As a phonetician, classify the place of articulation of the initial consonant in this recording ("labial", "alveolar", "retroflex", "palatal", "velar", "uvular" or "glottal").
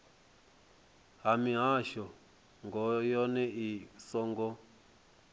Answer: glottal